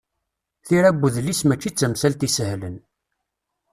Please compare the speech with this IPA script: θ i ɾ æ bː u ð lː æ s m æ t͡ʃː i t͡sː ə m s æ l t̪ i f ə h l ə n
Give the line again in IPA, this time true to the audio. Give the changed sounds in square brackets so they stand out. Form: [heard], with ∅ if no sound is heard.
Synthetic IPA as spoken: θ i ɾ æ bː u ð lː [i] s m æ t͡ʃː i t͡sː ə m s æ l t̪ i [s] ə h l ə n